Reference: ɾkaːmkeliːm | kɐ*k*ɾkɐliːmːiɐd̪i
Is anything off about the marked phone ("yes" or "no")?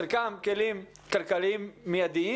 yes